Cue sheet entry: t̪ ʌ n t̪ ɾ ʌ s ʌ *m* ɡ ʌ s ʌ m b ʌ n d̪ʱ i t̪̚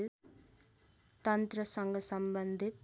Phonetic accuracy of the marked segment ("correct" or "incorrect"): incorrect